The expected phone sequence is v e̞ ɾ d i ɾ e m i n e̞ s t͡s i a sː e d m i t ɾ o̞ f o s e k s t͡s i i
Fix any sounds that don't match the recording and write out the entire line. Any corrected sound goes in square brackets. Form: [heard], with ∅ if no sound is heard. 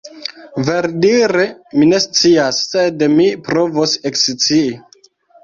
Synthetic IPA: v e̞ ɾ d i ɾ e m i n e̞ s t͡s i a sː e d m i [p] ɾ o̞ [v] o s e k s t͡s i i